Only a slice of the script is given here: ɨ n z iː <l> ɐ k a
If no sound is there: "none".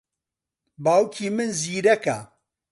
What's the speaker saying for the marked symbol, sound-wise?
ɾ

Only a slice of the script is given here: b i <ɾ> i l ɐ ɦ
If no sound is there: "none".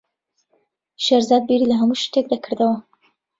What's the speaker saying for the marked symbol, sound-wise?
ɾ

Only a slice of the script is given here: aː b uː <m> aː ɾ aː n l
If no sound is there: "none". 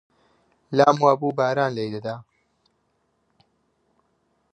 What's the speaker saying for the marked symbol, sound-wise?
b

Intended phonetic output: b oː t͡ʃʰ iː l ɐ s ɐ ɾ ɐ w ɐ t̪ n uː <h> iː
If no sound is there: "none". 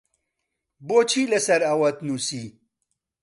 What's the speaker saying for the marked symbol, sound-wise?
s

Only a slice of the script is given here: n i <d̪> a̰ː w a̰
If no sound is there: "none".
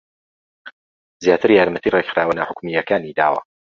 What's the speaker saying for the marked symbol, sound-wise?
d̪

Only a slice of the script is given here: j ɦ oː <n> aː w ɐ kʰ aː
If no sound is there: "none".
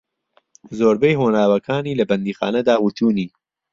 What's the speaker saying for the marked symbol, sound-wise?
n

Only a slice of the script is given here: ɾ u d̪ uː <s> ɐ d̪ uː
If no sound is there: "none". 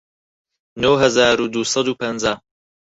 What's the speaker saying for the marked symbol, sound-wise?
s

